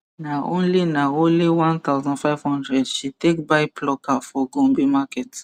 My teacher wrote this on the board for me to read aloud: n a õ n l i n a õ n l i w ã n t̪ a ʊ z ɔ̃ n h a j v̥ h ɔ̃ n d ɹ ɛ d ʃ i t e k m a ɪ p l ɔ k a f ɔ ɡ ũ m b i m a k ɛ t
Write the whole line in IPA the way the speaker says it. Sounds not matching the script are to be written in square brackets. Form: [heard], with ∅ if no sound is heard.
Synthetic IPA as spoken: n a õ n l i n a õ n l i w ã n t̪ a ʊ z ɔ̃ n [f] a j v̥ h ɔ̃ n d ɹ ɛ d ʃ i t e k [b] a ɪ p l ɔ k a f ɔ ɡ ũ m b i m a k ɛ t

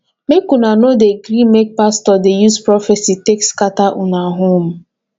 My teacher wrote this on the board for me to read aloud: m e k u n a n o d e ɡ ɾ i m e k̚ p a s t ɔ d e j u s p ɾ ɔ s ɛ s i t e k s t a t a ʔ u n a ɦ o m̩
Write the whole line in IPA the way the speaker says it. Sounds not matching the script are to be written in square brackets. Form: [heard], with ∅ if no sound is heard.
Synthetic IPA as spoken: m e k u n a n o d e ɡ ɾ i m e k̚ p a s t ɔ d e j u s p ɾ ɔ [f] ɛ s i t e k s [k] a t a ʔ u n a ɦ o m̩

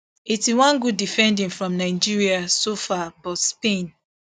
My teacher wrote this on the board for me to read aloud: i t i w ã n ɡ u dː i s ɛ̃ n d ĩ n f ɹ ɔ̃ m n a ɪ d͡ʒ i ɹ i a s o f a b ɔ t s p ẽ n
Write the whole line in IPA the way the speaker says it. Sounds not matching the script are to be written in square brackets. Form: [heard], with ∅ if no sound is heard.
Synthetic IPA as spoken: i t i w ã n ɡ u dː i [f] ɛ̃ n d ĩ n f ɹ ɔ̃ m n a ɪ d͡ʒ i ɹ i a s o f a b ɔ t s p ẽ n

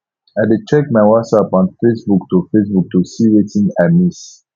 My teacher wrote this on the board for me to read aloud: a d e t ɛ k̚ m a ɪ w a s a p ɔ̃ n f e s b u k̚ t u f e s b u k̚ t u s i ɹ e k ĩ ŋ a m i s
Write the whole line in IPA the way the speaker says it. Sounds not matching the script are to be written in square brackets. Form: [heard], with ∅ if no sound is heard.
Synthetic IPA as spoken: a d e [t͡ʃ] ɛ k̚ m a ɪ w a s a p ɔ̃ n f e s b u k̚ t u f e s b u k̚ t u s i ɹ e [t] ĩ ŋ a m i s

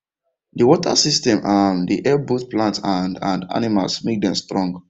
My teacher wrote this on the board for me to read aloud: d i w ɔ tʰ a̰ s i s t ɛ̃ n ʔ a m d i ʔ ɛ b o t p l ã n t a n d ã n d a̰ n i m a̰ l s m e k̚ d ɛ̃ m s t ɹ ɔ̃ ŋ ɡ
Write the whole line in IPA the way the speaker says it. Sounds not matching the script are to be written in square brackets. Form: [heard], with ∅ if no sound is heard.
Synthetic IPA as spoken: d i w ɔ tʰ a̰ s i s t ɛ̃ [m] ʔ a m d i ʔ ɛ b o t p l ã n t a n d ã n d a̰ n i m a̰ l s m e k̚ d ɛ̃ m s t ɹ ɔ̃ ŋ ɡ

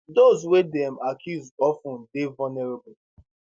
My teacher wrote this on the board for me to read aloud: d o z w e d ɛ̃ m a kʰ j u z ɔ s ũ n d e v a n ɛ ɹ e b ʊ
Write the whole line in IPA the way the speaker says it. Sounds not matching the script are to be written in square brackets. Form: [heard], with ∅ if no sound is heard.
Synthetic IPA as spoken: d o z w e d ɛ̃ m a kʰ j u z ɔ [f] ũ n d e v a n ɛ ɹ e b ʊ

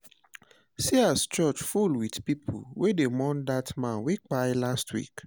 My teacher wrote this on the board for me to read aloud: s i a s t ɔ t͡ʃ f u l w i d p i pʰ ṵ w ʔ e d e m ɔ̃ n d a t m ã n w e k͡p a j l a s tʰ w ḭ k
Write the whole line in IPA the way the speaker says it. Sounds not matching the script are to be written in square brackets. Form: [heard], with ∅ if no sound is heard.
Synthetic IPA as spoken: s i a s [t͡ʃ] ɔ t͡ʃ f u l w i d p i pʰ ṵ w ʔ e d e m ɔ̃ n d a t m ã n w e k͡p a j l a s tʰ w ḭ k

